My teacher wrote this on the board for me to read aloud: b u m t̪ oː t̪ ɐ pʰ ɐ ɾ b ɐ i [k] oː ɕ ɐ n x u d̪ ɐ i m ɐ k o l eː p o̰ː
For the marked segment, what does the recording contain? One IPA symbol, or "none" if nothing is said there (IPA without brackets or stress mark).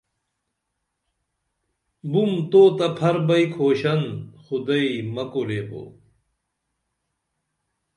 kʰ